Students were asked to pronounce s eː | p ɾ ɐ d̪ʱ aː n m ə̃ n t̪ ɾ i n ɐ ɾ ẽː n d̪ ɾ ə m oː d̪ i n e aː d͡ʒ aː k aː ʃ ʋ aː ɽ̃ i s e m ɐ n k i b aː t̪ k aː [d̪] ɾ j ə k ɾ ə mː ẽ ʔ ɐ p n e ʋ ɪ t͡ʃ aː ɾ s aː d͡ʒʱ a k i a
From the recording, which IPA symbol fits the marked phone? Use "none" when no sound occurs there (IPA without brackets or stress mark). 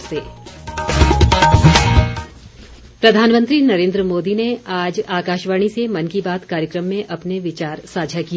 none